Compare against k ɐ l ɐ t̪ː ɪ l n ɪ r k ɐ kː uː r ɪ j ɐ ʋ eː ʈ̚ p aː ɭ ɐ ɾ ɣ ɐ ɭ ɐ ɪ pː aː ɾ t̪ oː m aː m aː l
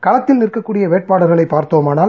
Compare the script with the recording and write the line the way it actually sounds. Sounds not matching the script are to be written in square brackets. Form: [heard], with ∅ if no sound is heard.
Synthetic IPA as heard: k ɐ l ɐ t̪ː ɪ l n ɪ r k ɐ kː uː [ɽ] ɪ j ɐ ʋ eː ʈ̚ p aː [ɽ] ɐ ɾ ɣ ɐ ɭ ɐ ɪ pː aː ɾ t̪ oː m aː [n] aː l